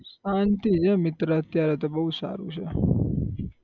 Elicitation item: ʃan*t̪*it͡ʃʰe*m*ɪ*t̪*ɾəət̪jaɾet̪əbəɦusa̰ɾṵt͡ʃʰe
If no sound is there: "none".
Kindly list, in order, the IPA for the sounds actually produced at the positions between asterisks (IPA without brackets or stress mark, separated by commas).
t̪, m, t̪